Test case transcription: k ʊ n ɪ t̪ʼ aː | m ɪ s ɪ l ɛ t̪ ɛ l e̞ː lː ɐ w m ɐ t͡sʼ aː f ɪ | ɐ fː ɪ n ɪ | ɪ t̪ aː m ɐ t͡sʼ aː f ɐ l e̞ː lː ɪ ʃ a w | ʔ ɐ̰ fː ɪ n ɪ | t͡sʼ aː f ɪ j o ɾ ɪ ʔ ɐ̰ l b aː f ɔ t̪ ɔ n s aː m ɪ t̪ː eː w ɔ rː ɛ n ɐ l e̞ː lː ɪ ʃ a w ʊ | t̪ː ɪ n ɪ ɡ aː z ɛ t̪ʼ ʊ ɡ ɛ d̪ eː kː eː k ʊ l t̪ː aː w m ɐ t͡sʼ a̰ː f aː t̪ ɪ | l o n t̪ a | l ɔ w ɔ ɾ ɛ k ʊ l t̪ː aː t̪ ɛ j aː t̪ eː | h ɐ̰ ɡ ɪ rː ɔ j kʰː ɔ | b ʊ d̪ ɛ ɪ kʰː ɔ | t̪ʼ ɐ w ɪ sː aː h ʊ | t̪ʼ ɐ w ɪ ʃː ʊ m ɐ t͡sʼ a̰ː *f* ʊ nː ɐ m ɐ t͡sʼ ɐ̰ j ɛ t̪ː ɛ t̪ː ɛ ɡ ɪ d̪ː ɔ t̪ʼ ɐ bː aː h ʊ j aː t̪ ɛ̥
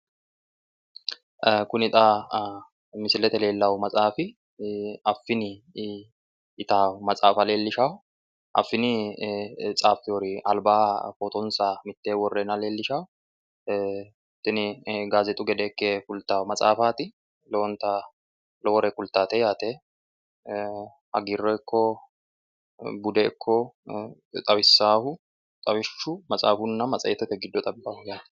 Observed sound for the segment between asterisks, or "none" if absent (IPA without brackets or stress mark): f